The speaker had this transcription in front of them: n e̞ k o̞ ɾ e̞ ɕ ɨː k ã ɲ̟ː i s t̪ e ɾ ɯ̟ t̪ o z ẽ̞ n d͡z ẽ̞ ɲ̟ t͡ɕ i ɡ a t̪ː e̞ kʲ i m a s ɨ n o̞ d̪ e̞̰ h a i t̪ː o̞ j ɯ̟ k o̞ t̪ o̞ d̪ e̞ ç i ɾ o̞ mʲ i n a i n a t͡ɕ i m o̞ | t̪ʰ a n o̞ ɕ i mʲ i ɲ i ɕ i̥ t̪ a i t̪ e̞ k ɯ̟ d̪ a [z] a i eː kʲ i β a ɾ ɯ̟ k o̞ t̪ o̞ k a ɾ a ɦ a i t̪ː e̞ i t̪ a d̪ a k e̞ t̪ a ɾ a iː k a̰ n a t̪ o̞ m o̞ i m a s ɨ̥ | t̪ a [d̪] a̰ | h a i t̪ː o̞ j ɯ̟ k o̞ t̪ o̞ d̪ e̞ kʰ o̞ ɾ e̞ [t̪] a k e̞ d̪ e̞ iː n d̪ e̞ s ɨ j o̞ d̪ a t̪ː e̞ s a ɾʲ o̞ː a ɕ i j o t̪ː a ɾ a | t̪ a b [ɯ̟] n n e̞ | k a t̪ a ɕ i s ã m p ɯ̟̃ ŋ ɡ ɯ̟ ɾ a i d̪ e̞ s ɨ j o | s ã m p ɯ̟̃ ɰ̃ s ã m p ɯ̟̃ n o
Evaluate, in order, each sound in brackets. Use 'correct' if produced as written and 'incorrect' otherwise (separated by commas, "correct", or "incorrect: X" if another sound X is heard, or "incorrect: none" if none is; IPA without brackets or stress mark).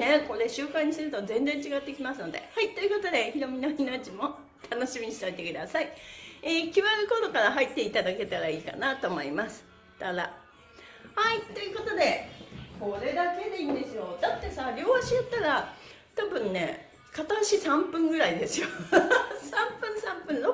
incorrect: s, correct, incorrect: d̪, incorrect: ɯ̟̃